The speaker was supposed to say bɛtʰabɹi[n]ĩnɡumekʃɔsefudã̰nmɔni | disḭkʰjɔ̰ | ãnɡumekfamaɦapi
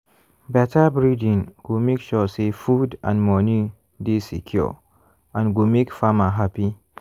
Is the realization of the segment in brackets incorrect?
yes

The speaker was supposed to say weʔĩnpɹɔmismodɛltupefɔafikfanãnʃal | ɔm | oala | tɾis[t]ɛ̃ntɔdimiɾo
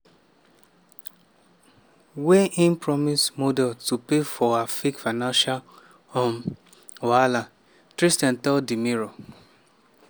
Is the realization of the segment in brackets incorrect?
no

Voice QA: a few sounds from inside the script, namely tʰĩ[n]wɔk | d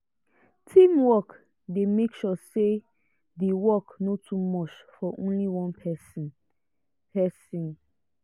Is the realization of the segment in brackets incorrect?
yes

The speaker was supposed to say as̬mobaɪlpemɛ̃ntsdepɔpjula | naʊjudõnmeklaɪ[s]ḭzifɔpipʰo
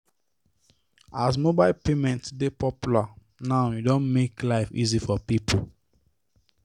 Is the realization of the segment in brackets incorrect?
yes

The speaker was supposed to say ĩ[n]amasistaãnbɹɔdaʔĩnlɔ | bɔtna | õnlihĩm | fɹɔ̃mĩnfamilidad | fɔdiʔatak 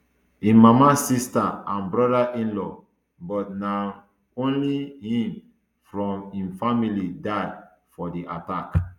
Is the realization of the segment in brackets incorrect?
yes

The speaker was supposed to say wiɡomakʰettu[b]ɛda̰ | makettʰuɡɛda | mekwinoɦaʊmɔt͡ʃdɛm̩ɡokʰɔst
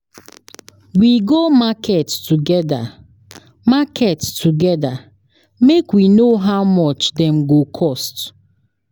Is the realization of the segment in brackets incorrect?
yes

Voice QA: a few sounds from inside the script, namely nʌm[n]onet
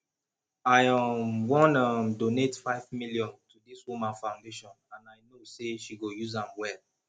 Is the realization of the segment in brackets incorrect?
yes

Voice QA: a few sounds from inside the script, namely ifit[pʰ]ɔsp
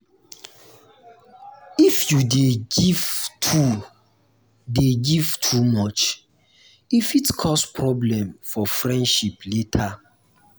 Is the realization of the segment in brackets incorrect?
yes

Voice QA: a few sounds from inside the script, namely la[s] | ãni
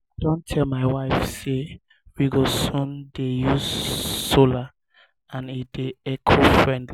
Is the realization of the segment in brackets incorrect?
yes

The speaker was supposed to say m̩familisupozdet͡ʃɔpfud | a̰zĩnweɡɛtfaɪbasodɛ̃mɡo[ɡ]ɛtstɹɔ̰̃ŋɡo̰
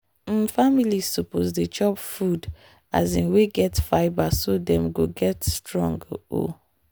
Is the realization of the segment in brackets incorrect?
no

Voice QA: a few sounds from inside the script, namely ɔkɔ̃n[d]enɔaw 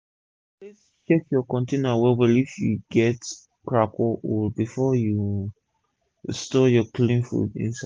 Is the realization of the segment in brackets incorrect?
yes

